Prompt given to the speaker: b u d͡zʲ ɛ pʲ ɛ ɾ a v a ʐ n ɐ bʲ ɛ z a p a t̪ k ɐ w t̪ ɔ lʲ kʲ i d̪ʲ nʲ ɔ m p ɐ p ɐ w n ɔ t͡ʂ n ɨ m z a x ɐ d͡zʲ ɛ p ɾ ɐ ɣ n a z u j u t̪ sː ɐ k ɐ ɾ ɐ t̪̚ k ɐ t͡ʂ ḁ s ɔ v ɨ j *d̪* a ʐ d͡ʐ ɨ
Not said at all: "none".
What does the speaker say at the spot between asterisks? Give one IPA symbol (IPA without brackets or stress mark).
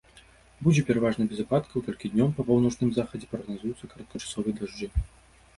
d̪